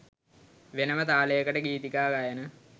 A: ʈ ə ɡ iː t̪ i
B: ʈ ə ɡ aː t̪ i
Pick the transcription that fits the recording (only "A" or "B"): A